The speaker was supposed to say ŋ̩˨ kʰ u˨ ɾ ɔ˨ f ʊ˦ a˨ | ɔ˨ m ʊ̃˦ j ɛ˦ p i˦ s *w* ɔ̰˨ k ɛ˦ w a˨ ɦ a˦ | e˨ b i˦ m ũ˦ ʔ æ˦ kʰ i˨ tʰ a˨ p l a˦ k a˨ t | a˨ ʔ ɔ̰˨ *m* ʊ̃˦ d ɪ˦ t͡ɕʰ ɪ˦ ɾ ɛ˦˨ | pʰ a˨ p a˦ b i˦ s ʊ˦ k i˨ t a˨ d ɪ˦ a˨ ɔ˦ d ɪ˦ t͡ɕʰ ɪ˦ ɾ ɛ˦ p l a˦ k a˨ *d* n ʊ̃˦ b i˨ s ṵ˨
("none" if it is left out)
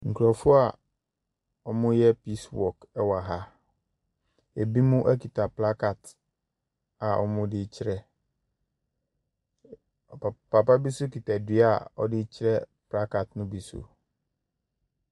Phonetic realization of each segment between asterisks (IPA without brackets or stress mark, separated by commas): w, m, t